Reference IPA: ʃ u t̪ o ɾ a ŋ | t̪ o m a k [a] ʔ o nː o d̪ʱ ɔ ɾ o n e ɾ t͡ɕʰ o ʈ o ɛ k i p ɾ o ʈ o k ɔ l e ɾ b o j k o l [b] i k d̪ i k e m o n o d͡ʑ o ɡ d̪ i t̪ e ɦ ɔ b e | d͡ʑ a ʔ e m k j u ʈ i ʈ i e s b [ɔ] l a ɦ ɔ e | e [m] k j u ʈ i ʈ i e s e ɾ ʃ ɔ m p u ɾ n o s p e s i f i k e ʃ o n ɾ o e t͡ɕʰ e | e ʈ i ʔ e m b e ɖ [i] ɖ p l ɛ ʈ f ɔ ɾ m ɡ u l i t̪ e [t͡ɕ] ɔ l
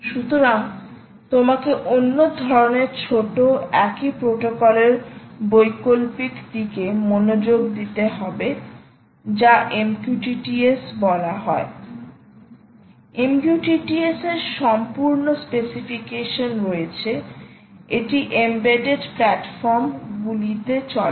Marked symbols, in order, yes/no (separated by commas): no, no, yes, yes, no, yes